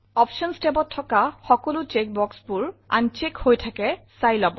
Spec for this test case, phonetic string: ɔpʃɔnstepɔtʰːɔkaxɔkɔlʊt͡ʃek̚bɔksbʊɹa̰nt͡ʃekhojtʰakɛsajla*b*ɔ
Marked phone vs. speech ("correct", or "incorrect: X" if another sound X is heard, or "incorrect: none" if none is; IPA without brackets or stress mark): correct